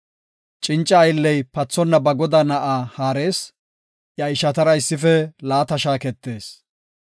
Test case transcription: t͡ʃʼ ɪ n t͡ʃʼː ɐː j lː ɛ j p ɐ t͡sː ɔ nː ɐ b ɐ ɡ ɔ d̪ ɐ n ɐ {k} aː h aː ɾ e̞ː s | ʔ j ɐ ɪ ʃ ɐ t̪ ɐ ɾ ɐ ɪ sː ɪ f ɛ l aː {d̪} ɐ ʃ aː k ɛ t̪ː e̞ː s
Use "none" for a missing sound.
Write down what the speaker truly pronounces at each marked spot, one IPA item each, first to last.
ʔ, t̪

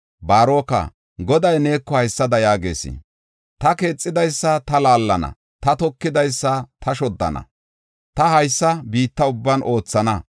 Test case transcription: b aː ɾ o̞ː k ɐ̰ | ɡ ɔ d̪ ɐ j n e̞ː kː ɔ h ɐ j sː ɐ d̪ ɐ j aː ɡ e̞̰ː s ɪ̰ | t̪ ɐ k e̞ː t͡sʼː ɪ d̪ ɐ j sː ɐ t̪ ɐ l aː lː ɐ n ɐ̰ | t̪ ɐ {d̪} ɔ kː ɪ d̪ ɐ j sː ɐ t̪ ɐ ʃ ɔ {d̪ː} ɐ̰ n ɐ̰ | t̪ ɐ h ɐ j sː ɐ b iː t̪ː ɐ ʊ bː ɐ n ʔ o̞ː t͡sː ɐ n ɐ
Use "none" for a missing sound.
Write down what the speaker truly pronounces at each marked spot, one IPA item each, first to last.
t̪, d̪ː

